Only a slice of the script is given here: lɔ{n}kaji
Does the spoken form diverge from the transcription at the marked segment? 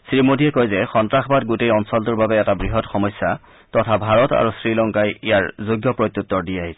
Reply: yes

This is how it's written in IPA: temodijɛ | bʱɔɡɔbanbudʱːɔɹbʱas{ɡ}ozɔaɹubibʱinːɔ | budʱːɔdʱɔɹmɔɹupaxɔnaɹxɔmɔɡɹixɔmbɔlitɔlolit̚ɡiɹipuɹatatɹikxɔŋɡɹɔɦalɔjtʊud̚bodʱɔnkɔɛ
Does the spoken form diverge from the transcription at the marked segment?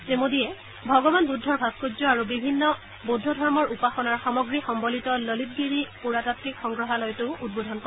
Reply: yes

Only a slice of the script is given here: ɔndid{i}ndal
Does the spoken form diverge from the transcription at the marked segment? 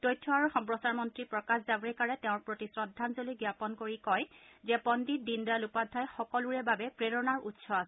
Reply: no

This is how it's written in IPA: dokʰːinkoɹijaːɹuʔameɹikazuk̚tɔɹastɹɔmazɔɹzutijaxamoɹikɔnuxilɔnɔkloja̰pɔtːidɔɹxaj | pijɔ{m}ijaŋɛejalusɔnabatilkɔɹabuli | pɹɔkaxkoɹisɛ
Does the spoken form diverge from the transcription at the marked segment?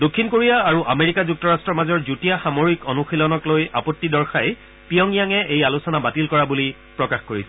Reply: yes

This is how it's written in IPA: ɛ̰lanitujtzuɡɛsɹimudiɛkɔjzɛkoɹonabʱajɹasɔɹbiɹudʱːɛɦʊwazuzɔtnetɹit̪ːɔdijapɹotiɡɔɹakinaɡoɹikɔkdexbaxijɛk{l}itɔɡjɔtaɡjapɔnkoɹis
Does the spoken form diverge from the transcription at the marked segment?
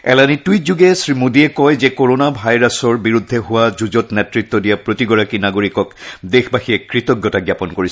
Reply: yes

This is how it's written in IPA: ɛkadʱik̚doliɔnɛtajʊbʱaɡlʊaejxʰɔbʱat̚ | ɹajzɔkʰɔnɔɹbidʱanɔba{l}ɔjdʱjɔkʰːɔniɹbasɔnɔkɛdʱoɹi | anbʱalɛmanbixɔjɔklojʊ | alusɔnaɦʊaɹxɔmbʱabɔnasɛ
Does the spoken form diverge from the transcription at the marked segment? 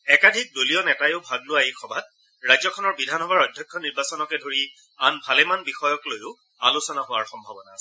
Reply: yes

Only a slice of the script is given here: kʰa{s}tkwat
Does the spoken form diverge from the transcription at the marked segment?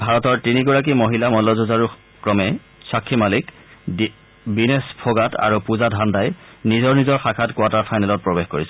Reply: yes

